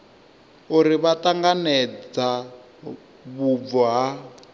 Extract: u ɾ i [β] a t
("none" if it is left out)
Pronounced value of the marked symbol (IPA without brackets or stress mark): β